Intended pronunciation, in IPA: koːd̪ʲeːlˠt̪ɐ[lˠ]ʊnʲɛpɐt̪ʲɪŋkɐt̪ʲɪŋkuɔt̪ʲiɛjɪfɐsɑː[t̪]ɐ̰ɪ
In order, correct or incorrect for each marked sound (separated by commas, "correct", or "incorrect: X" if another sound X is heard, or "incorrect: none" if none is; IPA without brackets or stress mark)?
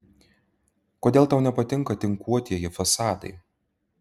incorrect: none, incorrect: d̪